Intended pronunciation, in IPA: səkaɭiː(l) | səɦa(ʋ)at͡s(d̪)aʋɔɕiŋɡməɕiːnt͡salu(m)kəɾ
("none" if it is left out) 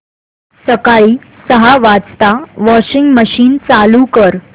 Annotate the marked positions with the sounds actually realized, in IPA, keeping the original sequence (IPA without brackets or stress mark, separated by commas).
none, ʋ, t̪, none